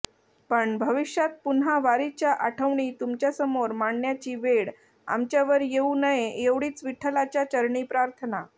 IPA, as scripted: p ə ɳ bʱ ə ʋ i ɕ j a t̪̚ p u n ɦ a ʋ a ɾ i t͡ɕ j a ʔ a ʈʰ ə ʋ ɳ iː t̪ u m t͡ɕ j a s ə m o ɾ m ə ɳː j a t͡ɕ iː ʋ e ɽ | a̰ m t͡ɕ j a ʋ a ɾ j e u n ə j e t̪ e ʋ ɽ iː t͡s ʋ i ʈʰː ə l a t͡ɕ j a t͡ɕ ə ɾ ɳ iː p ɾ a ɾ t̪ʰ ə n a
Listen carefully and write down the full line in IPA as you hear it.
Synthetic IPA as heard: p ə ɳ bʱ ə ʋ i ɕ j a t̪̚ p u n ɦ a ʋ a ɾ i t͡ɕ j a ʔ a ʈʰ ə ʋ ɳ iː t̪ u m t͡ɕ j a s ə m o ɾ m a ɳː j a t͡ɕ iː ʋ e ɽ | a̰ m t͡ɕ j a ʋ ə ɾ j e u n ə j e e ʋ ɽ iː t͡s ʋ i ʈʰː ə l a t͡ɕ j a t͡ɕ ə ɾ ɳ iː p ɾ a ɾ t̪ʰ ə n a